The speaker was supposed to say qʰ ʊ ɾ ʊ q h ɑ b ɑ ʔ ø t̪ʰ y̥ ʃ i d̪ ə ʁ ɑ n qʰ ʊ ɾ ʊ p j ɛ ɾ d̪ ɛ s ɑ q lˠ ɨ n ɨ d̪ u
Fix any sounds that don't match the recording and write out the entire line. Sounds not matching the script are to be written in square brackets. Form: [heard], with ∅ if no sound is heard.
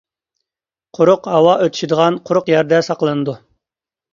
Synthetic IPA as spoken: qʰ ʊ ɾ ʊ q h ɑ [w] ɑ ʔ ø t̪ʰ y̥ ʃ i d̪ ə ʁ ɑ n qʰ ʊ ɾ ʊ [q] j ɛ ɾ d̪ ɛ s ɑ q lˠ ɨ n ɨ d̪ u